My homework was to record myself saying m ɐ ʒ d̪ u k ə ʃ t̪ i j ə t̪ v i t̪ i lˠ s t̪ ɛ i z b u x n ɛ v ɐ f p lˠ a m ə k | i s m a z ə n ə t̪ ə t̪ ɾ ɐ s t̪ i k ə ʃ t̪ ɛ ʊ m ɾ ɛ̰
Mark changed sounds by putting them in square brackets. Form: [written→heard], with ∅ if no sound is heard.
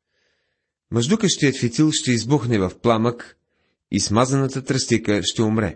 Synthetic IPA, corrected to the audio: m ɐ ʒ d̪ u k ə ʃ t̪ i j ə t̪ [v→f] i t̪ i lˠ [s→ʃ] t̪ ɛ i z b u x n ɛ v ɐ f p lˠ a m ə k | i s m a z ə n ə t̪ ə t̪ ɾ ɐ s t̪ i k ə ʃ t̪ ɛ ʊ m ɾ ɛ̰